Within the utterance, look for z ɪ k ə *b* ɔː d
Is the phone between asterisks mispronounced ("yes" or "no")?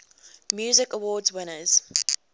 yes